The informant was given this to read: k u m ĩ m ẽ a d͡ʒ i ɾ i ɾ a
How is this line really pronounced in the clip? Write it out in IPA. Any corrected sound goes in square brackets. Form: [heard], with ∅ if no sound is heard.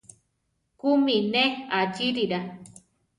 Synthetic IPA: k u m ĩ [n] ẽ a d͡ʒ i ɾ i ɾ a

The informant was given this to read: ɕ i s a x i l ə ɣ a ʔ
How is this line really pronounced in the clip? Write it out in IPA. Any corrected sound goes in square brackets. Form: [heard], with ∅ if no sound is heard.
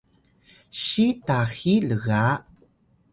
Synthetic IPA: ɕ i [t] a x i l ə ɣ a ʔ

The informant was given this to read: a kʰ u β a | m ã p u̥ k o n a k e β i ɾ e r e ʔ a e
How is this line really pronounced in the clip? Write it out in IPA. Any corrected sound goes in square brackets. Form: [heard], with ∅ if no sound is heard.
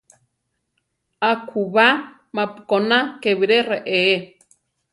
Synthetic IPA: a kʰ u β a | m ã p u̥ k o n a k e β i ɾ e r e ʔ [e] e

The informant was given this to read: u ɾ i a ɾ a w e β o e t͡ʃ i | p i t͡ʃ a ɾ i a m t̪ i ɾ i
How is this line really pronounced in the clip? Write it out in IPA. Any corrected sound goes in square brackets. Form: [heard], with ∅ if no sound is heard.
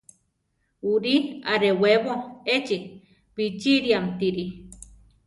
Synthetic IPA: u ɾ i a ɾ [e] w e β o e t͡ʃ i | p i t͡ʃ [i] ɾ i a m t̪ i ɾ i

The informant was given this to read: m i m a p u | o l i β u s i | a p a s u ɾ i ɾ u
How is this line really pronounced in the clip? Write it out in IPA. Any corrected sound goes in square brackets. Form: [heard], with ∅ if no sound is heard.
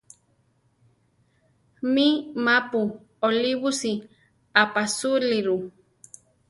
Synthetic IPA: m i m a p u | o l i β u s i | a p a s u [l] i ɾ u

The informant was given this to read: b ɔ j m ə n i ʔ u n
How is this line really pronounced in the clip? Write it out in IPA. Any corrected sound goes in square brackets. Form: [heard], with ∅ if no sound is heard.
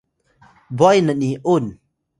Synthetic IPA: b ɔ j [n] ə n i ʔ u n

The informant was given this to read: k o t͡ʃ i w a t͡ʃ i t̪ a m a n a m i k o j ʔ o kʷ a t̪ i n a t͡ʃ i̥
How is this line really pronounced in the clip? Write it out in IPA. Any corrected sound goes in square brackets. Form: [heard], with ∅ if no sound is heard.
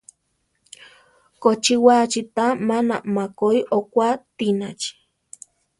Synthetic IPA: k o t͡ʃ i w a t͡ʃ i t̪ a m a n a m [a] k o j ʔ o kʷ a t̪ i n a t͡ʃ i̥

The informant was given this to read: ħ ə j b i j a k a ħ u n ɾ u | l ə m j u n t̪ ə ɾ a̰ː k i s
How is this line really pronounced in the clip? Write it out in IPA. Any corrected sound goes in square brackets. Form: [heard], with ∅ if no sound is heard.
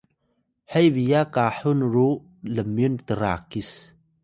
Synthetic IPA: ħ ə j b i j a k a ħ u n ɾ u | l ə m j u n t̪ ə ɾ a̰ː k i s

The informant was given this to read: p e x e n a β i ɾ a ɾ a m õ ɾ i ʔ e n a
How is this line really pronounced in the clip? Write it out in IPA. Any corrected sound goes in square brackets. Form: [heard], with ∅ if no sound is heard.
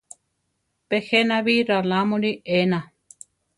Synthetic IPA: p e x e n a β i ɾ a [l] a m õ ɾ i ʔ e n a

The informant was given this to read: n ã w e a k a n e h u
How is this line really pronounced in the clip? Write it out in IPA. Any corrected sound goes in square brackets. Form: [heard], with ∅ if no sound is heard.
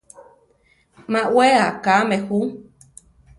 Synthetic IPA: [m] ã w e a k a [m] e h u

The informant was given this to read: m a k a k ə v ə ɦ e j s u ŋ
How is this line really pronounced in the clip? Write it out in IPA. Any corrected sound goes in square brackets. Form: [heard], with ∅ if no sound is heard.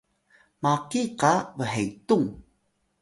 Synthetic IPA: m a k [i] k [a] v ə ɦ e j [t] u ŋ

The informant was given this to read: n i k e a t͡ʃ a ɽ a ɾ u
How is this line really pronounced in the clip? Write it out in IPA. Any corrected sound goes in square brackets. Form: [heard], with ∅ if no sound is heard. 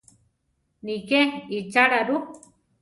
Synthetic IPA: n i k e [i] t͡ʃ a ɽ a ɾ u

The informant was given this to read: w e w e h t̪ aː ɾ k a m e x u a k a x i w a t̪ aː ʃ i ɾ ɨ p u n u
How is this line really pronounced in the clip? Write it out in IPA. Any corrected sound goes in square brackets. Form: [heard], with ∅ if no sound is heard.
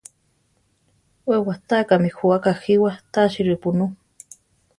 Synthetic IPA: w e w [a] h t̪ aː [∅] k a m [i] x u a k a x i w a t̪ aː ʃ i ɾ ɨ p u n u

